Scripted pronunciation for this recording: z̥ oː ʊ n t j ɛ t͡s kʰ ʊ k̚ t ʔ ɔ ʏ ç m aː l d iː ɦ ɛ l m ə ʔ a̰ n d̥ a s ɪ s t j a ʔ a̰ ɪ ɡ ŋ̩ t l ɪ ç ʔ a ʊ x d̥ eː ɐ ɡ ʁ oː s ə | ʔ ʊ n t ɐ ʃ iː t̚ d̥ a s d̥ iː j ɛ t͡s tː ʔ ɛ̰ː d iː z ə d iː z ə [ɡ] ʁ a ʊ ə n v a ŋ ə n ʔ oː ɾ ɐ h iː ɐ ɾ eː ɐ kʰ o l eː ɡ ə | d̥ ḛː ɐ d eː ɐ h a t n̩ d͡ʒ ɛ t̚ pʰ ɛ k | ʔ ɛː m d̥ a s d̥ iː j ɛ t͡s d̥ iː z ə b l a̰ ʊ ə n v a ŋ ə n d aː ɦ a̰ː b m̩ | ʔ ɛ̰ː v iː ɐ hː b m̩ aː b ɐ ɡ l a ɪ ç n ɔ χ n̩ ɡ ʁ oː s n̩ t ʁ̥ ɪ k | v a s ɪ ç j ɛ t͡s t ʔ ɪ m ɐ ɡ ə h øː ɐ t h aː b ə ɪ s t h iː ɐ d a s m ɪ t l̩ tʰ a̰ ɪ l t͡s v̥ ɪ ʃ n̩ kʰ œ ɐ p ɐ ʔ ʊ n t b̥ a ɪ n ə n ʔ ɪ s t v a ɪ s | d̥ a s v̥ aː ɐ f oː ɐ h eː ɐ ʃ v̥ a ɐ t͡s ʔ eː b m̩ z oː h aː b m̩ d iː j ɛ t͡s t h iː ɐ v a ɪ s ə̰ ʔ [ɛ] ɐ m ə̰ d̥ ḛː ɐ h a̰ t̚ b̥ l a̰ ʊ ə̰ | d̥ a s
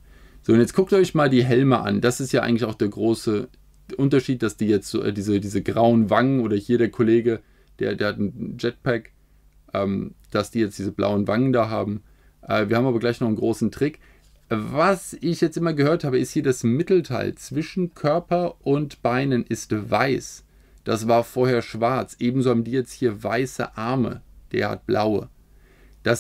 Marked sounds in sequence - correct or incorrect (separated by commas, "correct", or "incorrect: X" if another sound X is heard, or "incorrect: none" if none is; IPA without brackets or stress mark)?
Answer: correct, incorrect: a